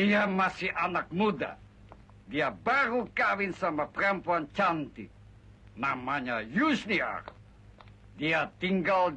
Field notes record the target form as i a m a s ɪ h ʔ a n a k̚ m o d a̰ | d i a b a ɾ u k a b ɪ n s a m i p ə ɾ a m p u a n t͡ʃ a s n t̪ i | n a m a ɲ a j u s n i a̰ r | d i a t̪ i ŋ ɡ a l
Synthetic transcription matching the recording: i a m a s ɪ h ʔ a n a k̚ m u d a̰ | d i a b a ɾ u k a w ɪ n s a m a p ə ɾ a m p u a n t͡ʃ a n t̪ i | n a m a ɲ a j u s n i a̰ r | d i a t̪ i ŋ ɡ a l